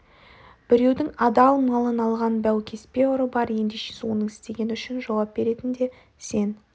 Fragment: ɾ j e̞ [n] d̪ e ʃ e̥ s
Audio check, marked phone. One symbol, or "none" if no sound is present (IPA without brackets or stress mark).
n